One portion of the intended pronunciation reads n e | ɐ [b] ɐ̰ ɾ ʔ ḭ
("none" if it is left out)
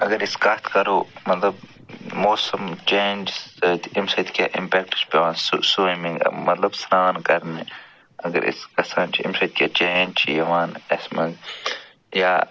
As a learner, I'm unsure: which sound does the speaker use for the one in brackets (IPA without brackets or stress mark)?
ɡ